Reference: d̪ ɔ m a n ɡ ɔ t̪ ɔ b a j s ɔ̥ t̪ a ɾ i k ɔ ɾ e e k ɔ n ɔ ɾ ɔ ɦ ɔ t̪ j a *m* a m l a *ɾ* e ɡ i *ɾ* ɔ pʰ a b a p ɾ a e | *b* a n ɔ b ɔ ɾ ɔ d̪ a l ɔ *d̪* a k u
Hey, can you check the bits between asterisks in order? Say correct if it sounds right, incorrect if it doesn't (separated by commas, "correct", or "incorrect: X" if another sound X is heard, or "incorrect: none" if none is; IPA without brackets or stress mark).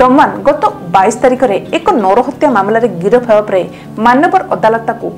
correct, correct, correct, incorrect: m, incorrect: t̪